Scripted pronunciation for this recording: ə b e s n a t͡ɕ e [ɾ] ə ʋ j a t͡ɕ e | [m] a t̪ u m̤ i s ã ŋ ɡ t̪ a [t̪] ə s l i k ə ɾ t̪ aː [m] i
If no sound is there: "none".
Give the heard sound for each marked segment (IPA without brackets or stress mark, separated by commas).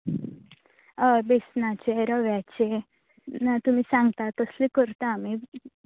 ɾ, n, t̪, m